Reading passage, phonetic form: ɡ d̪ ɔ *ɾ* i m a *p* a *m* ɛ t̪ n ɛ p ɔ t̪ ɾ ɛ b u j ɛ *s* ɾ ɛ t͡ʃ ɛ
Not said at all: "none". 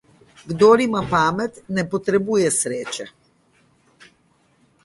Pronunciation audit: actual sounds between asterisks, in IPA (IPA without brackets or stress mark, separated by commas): ɾ, p, m, s